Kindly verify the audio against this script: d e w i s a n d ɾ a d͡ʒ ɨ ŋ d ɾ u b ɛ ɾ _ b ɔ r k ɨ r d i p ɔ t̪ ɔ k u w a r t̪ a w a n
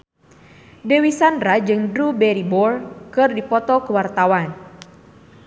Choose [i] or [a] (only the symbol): i